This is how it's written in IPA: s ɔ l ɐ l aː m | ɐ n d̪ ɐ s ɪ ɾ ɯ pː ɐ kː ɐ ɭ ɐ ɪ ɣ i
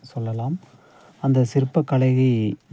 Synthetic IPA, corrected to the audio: s ɔ lː ɐ l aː m | ɐ n d̪ ɐ s ɪ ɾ ɯ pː ɐ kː ɐ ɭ ɐ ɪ ɣ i